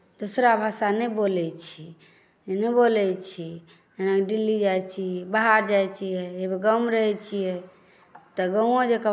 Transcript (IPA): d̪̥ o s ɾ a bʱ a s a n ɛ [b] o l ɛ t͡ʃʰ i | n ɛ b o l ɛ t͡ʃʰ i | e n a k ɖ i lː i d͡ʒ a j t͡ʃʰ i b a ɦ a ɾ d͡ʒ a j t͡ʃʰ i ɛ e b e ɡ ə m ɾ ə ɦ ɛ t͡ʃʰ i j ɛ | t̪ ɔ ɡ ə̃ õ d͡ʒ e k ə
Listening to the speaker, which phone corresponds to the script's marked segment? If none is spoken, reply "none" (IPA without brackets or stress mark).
b